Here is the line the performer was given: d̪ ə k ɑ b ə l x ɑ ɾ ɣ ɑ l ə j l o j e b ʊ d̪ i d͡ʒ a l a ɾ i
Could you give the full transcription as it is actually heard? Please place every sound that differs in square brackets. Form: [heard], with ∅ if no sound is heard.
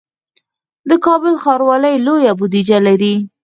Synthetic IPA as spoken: d̪ ə k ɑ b ə l x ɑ ɾ [w] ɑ l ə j l o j [a] b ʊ d̪ i d͡ʒ a l a ɾ i